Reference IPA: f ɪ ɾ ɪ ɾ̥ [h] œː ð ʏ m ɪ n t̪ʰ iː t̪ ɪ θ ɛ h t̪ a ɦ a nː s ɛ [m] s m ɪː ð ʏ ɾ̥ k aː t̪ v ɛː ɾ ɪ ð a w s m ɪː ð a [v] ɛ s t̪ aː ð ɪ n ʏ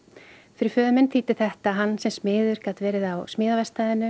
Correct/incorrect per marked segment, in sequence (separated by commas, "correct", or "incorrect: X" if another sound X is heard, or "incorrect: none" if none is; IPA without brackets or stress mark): incorrect: f, correct, correct